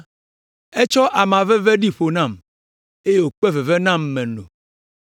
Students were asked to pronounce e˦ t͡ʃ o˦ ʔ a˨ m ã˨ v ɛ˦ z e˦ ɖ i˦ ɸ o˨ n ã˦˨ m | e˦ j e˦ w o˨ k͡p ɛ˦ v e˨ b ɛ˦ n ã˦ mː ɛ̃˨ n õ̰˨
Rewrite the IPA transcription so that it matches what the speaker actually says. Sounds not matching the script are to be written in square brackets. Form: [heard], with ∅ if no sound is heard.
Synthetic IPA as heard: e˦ t͡ʃ [ɔ˦] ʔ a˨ m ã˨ v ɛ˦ [v] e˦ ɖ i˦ ɸ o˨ n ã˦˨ m | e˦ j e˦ w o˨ k͡p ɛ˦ v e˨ [v] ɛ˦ n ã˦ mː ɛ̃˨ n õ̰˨